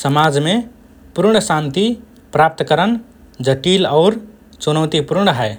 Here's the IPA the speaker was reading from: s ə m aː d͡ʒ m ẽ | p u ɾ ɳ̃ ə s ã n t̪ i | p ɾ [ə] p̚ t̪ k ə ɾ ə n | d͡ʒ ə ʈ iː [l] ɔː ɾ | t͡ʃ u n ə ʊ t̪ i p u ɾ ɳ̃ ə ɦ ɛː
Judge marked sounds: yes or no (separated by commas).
no, yes